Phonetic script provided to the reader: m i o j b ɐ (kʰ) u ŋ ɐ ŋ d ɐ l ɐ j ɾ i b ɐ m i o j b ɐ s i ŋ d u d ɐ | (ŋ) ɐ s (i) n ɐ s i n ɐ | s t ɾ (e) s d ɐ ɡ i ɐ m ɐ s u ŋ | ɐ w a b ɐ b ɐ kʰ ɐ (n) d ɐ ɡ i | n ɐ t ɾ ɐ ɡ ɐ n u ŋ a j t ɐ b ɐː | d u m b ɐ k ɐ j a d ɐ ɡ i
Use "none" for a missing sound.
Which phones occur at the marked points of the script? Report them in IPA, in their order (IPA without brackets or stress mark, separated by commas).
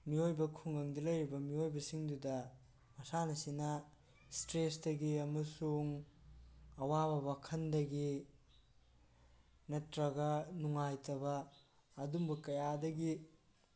kʰ, m, a, e, n